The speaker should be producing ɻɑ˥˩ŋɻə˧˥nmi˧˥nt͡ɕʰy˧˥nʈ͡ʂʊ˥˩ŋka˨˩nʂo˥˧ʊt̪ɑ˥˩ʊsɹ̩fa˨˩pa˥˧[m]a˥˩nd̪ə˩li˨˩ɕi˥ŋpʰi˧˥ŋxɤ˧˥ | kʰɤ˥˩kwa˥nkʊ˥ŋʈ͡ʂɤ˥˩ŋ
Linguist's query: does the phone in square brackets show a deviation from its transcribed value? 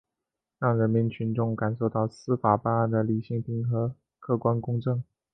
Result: yes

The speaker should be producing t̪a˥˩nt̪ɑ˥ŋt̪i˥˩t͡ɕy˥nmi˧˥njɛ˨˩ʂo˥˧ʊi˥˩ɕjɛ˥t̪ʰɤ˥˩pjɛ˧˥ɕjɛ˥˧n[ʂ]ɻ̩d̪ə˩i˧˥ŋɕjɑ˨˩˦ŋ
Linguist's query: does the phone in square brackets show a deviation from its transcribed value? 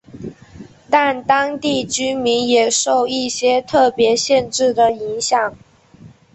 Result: yes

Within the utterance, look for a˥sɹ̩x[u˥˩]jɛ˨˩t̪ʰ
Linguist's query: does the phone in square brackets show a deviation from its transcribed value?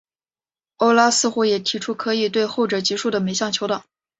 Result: yes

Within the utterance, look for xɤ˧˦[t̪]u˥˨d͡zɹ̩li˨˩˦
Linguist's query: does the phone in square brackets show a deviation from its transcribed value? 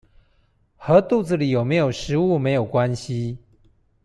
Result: no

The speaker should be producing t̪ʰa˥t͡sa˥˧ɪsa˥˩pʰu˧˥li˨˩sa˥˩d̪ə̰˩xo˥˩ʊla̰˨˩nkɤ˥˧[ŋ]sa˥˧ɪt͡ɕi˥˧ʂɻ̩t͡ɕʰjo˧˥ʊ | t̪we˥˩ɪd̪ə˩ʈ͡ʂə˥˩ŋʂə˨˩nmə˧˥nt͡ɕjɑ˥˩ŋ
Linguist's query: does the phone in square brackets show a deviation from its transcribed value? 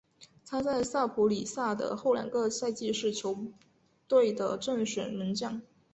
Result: yes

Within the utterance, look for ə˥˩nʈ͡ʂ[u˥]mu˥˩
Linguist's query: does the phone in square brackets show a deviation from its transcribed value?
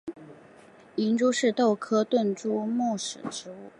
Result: no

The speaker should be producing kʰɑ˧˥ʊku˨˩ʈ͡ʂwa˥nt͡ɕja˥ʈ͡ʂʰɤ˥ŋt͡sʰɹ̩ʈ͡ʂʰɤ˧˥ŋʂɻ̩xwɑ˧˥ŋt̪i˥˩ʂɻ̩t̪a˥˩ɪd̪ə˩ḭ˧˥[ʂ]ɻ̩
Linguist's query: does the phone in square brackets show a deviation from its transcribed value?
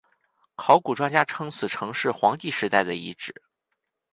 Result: yes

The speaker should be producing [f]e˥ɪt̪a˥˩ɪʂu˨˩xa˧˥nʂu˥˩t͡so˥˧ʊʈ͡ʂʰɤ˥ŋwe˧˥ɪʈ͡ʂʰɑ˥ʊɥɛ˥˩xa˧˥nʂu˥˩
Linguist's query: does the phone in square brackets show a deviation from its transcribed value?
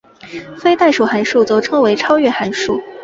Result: no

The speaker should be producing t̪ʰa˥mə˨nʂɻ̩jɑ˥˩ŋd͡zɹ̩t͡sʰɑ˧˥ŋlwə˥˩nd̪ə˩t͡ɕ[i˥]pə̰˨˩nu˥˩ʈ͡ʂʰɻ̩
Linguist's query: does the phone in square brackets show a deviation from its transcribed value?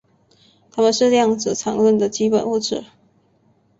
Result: no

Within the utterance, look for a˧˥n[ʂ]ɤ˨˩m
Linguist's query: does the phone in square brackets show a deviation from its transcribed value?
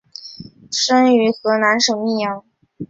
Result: no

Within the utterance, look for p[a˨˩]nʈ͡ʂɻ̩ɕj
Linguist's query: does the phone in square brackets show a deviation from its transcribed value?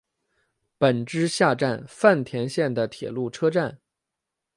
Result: yes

